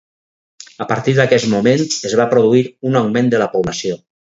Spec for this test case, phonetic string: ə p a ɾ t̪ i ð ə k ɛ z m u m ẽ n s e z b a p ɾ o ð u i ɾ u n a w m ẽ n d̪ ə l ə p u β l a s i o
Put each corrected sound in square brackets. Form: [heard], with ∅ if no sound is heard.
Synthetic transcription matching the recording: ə p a ɾ t̪ i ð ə k ɛ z m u m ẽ n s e z [β] a p ɾ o ð u i ɾ u n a w m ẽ n d̪ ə l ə p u β l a s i o